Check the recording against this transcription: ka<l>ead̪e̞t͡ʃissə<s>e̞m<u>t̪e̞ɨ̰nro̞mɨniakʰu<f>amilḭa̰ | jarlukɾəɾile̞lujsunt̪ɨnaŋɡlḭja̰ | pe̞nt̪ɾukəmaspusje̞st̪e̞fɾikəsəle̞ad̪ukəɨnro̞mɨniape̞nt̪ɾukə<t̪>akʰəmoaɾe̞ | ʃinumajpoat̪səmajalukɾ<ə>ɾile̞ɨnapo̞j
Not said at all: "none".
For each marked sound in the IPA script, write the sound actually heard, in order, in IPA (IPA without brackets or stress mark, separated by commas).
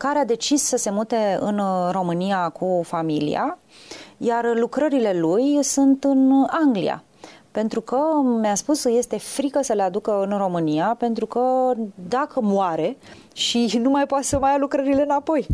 ɾ, s, u, f, d̪, ə